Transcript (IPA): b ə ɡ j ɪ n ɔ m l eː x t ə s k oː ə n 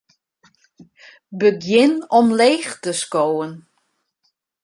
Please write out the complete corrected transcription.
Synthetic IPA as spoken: b ə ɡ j ɪ n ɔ m l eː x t ə s k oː ə n